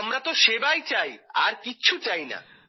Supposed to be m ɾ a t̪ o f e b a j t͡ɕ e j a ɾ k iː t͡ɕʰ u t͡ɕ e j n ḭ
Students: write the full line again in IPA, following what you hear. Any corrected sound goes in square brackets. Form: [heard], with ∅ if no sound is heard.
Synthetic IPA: m ɾ a t̪ o [ʃ] e b a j t͡ɕ [a] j a ɾ k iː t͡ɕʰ u t͡ɕ [a] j n [a̰]